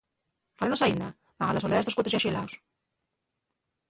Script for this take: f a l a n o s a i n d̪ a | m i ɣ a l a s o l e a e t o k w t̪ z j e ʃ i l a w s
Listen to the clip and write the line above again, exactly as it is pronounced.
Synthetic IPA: f a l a n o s a i n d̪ a | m a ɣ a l a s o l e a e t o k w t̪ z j a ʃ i l a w s